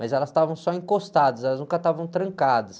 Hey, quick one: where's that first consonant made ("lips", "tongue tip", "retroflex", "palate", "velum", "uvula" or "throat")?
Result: lips